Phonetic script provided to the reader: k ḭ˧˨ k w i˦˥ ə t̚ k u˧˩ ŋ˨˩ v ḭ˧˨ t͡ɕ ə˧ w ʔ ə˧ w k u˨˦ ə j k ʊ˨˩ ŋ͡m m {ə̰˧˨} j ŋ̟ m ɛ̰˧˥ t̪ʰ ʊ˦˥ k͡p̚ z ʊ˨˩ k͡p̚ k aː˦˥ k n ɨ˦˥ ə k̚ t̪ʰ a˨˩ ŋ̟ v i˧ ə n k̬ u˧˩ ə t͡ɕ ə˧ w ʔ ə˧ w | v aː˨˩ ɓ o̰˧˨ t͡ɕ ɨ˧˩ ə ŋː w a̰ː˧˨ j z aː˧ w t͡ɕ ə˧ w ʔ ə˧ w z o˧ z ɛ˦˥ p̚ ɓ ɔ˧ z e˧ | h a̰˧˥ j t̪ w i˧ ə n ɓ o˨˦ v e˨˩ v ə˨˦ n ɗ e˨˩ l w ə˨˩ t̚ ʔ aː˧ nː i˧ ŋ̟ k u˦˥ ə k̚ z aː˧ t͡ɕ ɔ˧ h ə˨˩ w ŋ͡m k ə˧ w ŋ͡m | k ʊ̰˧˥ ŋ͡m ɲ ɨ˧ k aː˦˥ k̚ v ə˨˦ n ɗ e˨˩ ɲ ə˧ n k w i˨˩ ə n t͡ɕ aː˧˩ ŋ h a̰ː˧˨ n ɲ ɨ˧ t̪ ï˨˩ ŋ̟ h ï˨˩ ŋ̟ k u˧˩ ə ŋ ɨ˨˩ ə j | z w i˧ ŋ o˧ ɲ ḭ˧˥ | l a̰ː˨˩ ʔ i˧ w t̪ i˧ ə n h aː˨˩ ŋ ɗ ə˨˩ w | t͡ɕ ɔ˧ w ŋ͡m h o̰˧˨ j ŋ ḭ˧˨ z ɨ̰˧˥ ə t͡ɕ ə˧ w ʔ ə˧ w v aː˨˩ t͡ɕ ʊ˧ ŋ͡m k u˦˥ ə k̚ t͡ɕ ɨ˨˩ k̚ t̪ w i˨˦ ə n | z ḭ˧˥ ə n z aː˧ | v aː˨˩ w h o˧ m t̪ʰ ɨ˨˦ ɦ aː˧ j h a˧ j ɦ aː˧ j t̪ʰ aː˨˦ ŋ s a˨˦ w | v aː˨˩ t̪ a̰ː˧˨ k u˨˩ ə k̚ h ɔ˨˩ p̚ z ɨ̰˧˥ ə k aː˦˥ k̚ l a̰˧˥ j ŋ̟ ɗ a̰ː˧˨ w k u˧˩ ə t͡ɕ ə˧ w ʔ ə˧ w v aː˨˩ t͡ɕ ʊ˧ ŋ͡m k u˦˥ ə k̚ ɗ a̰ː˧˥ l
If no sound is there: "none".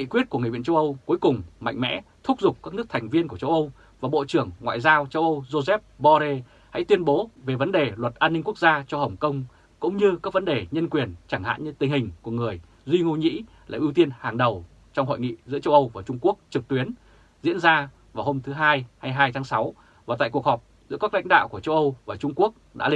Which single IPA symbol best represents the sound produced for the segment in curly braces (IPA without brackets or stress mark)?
a̰˧˨